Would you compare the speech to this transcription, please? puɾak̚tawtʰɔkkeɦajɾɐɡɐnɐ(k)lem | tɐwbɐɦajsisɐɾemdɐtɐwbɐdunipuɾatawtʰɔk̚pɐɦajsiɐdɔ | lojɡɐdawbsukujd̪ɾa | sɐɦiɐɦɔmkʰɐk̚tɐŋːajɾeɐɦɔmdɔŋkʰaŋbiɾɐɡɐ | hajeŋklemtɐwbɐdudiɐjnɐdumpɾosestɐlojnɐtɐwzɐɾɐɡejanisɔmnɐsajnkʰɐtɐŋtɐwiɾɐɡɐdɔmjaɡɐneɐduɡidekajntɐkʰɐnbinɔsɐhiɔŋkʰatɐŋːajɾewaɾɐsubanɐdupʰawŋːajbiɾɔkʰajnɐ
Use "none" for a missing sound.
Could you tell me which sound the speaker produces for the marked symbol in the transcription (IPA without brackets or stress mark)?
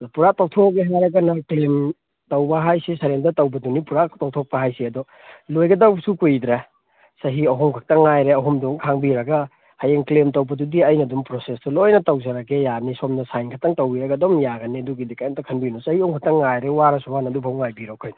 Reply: k